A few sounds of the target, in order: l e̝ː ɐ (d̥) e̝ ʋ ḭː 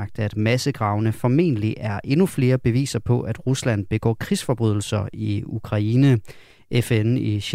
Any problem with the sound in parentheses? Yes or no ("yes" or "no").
yes